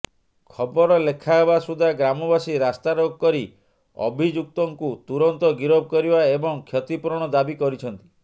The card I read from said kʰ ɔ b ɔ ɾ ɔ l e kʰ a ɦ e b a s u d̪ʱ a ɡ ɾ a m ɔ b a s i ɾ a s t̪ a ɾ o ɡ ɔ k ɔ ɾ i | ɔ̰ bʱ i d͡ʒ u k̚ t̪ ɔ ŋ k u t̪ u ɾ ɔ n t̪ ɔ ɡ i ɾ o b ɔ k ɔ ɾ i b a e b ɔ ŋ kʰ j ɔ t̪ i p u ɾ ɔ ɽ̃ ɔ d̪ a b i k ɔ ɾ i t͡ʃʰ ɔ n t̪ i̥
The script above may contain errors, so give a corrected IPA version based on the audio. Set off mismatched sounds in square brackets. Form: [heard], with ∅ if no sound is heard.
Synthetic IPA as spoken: kʰ ɔ b ɔ ɾ ɔ l e kʰ a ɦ e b a s u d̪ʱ a ɡ ɾ a m ɔ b a s i ɾ a s t̪ a ɾ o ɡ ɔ k ɔ ɾ i | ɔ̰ bʱ i d͡ʒ u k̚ t̪ ɔ ŋ k u t̪ u ɾ ɔ n t̪ ɔ ɡ i ɾ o b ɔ k ɔ ɾ i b a e b ɔ ŋ kʰ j ɔ t̪ i p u ɾ ɔ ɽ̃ ɔ d̪ a b i k ɔ ɾ i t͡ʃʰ ɔ n t̪ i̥